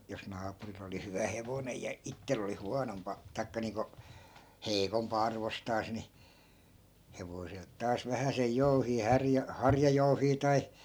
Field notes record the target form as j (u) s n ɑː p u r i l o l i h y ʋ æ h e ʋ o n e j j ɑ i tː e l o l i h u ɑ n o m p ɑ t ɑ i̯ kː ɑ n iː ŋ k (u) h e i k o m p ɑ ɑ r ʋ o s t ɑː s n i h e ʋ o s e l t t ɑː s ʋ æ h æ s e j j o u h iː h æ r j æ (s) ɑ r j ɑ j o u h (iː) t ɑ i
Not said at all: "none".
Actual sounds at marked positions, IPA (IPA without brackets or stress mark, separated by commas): o, o, h, iː